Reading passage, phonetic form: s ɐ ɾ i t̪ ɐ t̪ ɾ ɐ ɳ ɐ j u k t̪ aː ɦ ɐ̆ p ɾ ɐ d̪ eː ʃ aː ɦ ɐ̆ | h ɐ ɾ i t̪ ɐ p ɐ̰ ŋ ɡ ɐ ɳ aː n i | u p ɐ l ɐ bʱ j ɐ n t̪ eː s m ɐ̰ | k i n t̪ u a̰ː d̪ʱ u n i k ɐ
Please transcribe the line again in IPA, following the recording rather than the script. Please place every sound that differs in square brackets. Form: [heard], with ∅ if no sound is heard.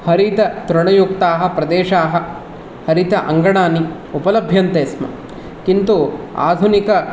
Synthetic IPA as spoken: [h] ɐ ɾ i t̪ ɐ t̪ ɾ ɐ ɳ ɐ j u k t̪ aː ɦ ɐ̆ p ɾ ɐ d̪ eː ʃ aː ɦ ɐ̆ | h ɐ ɾ i t̪ ɐ [ʔ] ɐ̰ ŋ ɡ ɐ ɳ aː n i | u p ɐ l ɐ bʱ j ɐ n t̪ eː s m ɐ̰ | k i n t̪ u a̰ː d̪ʱ u n i k ɐ